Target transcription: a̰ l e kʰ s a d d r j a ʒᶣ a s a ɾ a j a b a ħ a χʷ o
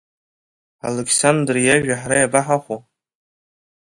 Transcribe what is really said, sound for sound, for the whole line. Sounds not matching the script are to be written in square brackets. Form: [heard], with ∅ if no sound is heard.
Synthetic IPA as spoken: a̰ l e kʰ s a [n] d r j a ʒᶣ a [ħ] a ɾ a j a b a ħ a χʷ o